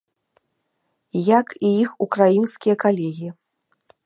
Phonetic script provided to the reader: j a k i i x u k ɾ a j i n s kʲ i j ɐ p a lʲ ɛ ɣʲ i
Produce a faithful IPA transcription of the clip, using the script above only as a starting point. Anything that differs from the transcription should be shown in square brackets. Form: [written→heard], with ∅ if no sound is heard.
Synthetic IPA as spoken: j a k i i x u k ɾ a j i n s kʲ i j ɐ [p→k] a lʲ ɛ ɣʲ i